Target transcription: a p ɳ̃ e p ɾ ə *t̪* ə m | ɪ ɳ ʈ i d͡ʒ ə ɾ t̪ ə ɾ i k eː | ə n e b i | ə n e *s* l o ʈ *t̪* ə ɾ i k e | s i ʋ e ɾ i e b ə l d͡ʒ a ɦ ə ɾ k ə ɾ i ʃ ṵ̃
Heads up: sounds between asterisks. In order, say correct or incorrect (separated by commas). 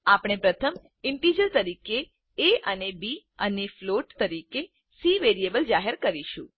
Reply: incorrect, incorrect, correct